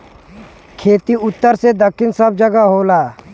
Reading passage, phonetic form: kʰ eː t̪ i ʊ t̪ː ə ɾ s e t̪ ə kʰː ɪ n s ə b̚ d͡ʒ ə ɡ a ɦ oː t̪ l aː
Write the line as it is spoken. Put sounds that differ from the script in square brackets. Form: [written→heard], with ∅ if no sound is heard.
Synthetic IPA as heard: kʰ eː t̪ i ʊ t̪ː ə ɾ s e [t̪→d̪] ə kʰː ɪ n s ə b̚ d͡ʒ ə ɡ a ɦ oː [t̪→∅] l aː